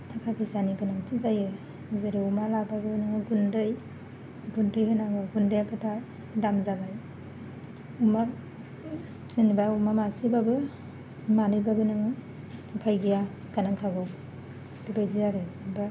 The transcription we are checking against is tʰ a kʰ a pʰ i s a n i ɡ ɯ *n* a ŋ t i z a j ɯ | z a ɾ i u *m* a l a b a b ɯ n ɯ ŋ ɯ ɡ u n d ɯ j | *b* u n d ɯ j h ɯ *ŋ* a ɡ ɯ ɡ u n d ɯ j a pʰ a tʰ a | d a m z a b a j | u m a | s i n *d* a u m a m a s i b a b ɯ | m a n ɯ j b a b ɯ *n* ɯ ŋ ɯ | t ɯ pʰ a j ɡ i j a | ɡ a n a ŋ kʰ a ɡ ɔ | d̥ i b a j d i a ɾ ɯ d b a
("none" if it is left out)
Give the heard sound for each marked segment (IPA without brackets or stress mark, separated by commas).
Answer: n, m, ɡ, n, b, n